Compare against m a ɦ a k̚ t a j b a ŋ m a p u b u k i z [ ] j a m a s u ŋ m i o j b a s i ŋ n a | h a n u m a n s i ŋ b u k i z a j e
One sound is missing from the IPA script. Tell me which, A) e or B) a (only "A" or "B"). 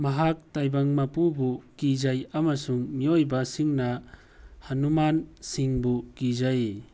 B